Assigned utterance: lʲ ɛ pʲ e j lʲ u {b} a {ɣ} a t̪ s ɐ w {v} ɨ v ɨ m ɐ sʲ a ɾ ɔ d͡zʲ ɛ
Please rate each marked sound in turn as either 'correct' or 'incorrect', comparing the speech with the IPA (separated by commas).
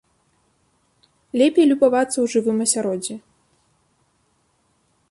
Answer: correct, incorrect, incorrect